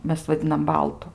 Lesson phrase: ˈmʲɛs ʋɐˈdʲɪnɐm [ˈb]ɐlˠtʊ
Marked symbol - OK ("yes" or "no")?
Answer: yes